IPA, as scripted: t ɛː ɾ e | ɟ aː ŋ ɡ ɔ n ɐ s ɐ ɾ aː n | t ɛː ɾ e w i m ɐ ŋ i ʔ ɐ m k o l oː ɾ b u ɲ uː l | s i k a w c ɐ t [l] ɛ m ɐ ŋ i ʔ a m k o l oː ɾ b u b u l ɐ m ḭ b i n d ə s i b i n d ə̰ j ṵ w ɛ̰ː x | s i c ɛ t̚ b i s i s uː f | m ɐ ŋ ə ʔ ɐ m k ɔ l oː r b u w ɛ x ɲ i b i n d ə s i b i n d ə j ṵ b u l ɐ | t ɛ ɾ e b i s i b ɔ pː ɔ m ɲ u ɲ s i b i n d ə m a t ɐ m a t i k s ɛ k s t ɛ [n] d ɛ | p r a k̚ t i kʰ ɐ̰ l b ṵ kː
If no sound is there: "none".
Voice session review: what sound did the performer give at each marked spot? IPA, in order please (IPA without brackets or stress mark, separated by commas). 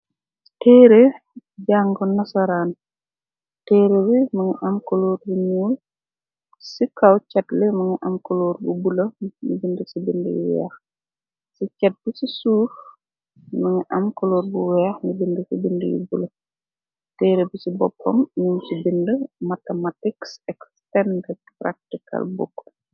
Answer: l, n